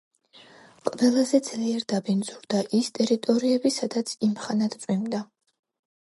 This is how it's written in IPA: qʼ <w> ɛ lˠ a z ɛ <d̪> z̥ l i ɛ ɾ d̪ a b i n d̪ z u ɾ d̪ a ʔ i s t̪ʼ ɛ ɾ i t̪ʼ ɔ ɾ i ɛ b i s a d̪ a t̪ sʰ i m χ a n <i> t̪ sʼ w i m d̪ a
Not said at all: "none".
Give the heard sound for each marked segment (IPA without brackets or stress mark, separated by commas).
v, d̪, a